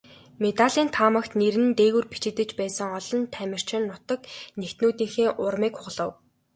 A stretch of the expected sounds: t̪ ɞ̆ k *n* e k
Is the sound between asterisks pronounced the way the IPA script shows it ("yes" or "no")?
yes